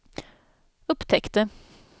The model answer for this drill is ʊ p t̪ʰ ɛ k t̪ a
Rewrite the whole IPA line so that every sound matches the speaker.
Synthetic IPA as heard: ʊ p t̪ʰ ɛ k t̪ ə